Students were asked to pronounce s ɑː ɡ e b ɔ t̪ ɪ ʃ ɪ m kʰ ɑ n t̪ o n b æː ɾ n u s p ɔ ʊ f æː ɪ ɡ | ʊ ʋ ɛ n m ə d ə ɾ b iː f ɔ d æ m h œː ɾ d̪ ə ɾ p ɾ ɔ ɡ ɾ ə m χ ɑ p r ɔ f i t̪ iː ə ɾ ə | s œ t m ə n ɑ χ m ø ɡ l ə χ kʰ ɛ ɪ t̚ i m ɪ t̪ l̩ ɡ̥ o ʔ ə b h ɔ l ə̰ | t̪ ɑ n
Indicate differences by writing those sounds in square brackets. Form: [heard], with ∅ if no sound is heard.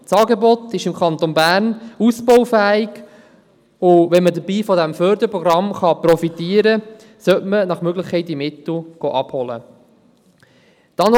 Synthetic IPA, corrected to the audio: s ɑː ɡ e b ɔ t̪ ɪ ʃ ɪ m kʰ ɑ n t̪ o n b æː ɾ n u s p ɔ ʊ f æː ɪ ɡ | ʊ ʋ ɛ n m ə d ə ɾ b iː f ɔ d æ m [f] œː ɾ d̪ ə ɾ p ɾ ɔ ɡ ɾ [ɑ] m χ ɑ p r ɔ f i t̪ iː ə ɾ ə | s œ t m ə n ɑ χ m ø ɡ l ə χ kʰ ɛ ɪ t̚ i m ɪ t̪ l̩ ɡ̥ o ʔ [ɑ] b h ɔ l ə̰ | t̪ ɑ n